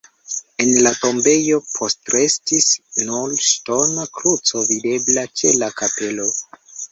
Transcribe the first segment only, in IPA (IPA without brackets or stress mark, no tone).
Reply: e̞